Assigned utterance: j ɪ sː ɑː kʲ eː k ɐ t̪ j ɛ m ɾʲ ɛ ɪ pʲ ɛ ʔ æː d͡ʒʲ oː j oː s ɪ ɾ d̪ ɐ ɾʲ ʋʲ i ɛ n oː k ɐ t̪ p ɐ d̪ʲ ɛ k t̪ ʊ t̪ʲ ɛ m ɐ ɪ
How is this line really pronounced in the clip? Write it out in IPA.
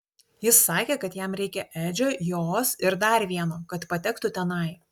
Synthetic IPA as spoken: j ɪ sː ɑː kʲ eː k ɐ t̪ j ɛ m ɾʲ ɛ ɪ kʲ ɛ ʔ æː d͡ʒʲ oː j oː s ɪ ɾ d̪ ɐ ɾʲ ʋʲ i ɛ n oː k ɐ t̪ p ɐ t̪ʲ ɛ k t̪ ʊ t̪ʲ ɛ n ɐ ɪ

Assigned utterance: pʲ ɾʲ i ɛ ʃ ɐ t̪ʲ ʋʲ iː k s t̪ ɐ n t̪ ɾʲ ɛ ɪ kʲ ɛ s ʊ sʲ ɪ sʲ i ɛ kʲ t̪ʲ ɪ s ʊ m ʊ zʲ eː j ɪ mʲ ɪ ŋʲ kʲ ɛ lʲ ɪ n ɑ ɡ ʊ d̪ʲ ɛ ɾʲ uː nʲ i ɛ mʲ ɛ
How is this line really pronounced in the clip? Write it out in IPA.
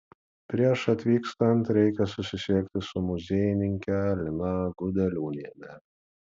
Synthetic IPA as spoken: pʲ ɾʲ i ɛ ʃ ɐ t̪ʲ ʋʲ iː k s t̪ ɐ n t̪ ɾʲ ɛ ɪ kʲ ɛ s ʊ sʲ ɪ sʲ i ɛ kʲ t̪ʲ ɪ s ʊ m ʊ zʲ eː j ɪ nʲ ɪ ŋʲ kʲ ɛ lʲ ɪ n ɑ ɡ ʊ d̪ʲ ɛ lʲ uː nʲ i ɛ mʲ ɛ

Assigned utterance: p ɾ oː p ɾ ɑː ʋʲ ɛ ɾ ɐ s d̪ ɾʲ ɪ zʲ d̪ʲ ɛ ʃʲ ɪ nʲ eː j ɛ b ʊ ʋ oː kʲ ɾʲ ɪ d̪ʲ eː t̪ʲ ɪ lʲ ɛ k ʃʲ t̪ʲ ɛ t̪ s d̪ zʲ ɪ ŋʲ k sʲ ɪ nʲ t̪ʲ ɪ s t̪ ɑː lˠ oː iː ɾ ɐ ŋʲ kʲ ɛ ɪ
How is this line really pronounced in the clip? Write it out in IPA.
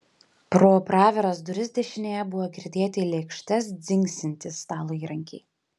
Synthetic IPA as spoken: p ɾ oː p ɾ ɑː ʋʲ ɛ ɾ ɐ s d̪ ɾʲ ɪ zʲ d̪ʲ ɛ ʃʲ ɪ nʲ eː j ɛ b ʊ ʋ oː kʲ ɾʲ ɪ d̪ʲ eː t̪ʲ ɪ lʲ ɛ k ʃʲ t̪ʲ ɛ s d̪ zʲ ɪ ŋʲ k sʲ ɪ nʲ t̪ʲ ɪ s t̪ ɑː lˠ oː iː ɾ ɐ ŋʲ kʲ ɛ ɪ

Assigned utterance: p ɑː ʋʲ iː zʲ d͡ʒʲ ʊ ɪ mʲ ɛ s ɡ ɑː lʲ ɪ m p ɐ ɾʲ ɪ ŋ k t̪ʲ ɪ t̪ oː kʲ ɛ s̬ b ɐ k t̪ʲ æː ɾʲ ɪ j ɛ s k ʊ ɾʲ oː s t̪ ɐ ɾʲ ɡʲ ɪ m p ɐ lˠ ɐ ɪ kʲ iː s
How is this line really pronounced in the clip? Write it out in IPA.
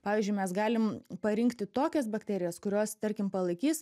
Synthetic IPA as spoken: p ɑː ʋʲ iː zʲ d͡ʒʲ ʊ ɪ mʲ ɛ s ɡ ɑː lʲ ɪ m p ɐ ɾʲ ɪ ŋ k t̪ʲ ɪ t̪ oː kʲ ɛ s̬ b ɐ k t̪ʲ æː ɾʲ ɪ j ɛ s k ʊ ɾʲ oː s t̪ ɐ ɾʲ kʲ ɪ m p ɐ lˠ ɐ ɪ kʲ iː s

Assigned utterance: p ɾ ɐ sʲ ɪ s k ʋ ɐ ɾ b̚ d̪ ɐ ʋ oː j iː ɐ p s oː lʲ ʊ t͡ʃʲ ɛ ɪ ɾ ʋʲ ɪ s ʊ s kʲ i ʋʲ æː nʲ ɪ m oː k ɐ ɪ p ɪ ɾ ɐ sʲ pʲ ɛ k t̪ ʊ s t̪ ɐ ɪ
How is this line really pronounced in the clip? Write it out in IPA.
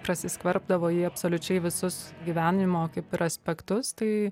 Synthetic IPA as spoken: p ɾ ɐ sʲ ɪ s k ʋ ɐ ɾ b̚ d̪ ɐ ʋ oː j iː ɐ p s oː lʲ ʊ t͡ʃʲ ɛ ɪ ʋʲ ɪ s ʊ s ɡʲ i ʋʲ æː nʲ ɪ m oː k ɐ ɪ p ɪ ɾ ɐ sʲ pʲ ɛ k t̪ ʊ s t̪ ɐ ɪ

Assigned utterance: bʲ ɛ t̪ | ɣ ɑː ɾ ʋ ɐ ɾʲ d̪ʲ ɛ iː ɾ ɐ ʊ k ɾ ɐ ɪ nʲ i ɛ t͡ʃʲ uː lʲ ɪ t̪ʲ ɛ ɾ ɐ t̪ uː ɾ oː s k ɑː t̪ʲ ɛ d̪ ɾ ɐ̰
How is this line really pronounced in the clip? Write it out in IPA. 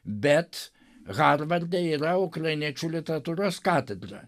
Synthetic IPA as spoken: bʲ ɛ t̪ | ɣ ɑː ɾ ʋ ɐ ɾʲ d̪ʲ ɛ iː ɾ ɐ ʊ k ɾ ɐ ɪ nʲ i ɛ t͡ʃʲ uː lʲ ɪ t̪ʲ ɛ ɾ ɐ t̪ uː ɾ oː s k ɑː t̪ʲ ɛ d̪ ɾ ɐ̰

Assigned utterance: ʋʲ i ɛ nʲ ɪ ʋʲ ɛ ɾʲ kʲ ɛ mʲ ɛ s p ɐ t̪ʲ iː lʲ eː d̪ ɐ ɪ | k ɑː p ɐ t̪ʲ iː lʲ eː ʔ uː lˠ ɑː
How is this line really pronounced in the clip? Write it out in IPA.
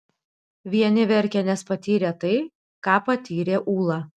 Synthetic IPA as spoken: ʋʲ i ɛ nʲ ɪ ʋʲ ɛ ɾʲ kʲ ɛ nʲ ɛ s p ɐ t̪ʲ iː ɾʲ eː t̪ ɐ ɪ | k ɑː p ɐ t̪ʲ iː ɾʲ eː ʔ uː lˠ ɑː

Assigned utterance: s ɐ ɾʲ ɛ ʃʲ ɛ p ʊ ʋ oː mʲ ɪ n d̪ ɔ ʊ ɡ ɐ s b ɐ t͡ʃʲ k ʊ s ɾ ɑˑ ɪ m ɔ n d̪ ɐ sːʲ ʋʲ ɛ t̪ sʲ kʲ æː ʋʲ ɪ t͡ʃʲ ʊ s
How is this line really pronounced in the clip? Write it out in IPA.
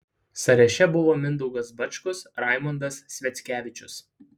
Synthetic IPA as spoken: s ɐ ɾʲ ɛ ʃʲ ɛ b ʊ ʋ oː mʲ ɪ n d̪ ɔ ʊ ɡ ɐ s b ɐ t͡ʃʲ k ʊ s ɾ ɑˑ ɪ m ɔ n d̪ ɐ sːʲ ʋʲ ɛ t̪ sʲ kʲ æː ʋʲ ɪ t͡ʃʲ ʊ s

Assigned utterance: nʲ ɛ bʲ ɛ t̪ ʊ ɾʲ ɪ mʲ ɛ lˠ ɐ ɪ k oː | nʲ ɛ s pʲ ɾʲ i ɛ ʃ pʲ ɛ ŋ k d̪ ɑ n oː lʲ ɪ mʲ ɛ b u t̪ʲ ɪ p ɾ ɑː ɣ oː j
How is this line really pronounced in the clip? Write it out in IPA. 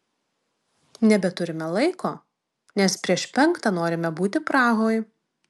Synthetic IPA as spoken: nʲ ɛ bʲ ɛ t̪ ʊ ɾʲ ɪ mʲ ɛ lˠ ɐ ɪ k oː | nʲ ɛ s pʲ ɾʲ i ɛ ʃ pʲ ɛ ŋ k t̪ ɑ n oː ɾʲ ɪ mʲ ɛ b uː t̪ʲ ɪ p ɾ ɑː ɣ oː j

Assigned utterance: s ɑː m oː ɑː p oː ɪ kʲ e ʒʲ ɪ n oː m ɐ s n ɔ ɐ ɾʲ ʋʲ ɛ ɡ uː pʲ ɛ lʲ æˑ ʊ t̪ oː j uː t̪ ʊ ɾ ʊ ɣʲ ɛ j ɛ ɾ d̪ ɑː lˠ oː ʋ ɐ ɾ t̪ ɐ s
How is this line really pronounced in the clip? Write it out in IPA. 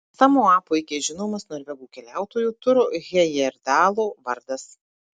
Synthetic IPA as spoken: s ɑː m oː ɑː p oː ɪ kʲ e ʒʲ ɪ n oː m ɐ s n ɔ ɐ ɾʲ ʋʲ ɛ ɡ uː kʲ ɛ lʲ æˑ ʊ t̪ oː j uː t̪ ʊ ɾ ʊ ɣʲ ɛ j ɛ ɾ d̪ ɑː lˠ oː ʋ ɐ ɾ d̪ ɐ s

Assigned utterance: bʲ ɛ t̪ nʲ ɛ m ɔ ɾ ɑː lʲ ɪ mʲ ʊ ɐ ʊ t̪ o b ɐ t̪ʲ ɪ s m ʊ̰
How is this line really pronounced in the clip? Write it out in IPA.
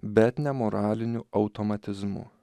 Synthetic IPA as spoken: bʲ ɛ t̪ nʲ ɛ m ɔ ɾ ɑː lʲ ɪ nʲ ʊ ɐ ʊ t̪ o m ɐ t̪ʲ ɪ z m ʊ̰

